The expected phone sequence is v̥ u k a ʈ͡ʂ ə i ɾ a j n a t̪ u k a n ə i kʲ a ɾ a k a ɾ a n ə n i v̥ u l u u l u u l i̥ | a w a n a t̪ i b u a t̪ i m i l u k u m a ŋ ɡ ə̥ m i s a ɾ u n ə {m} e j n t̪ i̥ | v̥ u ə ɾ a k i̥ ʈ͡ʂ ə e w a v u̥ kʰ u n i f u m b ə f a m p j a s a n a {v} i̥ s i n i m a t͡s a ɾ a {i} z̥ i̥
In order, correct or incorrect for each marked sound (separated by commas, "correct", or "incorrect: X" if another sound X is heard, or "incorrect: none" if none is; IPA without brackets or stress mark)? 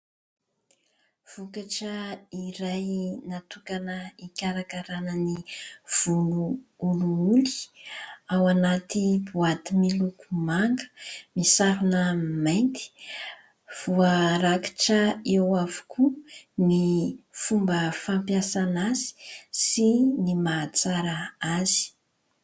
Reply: correct, incorrect: z, incorrect: a